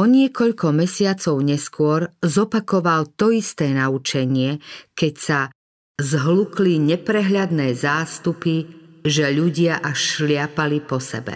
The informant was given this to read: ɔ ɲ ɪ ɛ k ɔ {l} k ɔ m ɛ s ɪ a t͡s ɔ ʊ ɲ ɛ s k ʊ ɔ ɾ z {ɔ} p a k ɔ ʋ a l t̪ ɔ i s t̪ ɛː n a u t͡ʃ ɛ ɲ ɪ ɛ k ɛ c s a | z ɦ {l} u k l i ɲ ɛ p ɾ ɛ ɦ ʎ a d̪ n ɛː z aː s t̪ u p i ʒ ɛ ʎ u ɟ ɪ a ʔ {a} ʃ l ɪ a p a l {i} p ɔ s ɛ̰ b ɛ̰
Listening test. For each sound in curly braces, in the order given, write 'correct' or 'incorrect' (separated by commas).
incorrect, correct, correct, correct, correct